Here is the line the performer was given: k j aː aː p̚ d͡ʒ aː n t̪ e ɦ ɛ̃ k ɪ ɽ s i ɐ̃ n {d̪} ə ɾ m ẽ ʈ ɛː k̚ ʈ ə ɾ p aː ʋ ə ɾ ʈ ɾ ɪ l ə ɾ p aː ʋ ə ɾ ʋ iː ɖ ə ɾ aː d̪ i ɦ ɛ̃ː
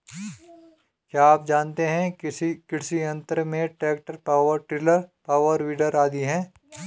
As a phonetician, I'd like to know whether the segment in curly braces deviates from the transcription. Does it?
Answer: yes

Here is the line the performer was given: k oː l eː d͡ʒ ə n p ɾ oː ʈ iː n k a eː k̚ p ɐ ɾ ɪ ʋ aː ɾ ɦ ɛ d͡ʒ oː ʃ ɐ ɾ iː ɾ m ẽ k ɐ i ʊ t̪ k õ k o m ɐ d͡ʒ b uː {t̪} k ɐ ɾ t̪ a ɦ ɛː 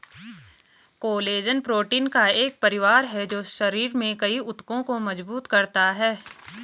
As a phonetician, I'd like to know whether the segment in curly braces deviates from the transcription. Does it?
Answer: no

